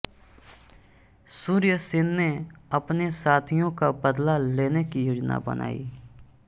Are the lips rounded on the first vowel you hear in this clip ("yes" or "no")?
yes